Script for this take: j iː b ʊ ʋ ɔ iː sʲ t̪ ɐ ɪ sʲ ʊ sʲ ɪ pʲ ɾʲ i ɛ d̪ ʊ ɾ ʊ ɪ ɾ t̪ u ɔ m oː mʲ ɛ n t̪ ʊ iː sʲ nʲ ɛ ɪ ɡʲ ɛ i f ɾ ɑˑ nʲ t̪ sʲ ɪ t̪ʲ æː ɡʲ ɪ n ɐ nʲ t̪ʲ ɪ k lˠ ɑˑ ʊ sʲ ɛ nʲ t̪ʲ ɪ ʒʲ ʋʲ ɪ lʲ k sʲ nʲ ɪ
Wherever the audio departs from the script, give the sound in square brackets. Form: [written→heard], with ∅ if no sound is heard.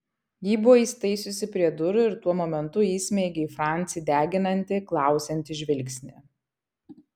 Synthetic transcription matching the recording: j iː b ʊ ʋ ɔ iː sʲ t̪ ɐ ɪ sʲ ʊ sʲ ɪ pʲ ɾʲ i ɛ d̪ ʊ ɾ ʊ ɪ ɾ t̪ u ɔ m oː mʲ ɛ n t̪ ʊ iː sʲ [nʲ→mʲ] ɛ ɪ ɡʲ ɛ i f ɾ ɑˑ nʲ t̪ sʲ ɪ [t̪ʲ→d̪ʲ] æː ɡʲ ɪ n ɐ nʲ t̪ʲ ɪ k lˠ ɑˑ ʊ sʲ ɛ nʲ t̪ʲ ɪ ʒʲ ʋʲ ɪ lʲ k sʲ nʲ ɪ